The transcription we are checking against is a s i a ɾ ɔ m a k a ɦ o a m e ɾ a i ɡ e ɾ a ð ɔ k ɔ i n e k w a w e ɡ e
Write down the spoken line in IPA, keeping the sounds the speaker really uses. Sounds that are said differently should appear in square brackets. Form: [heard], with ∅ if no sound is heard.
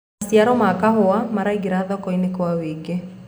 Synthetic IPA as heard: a s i a ɾ ɔ m a k a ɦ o a m [a] ɾ a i ɡ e ɾ a ð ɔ k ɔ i n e k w a w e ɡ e